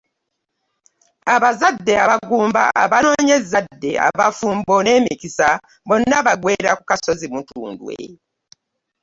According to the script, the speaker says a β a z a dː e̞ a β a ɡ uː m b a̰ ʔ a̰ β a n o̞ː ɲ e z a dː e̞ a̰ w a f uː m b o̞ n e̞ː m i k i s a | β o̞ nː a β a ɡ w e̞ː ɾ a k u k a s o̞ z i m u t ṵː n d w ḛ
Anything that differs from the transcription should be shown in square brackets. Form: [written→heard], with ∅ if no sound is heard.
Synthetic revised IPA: a β a z a dː e̞ a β a ɡ uː m b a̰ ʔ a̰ β a n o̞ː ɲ e z a dː e̞ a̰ [w→β] a f uː m b o̞ n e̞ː m i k i s a | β o̞ nː a β a ɡ w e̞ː ɾ a k u k a s o̞ z i m u t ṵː n d w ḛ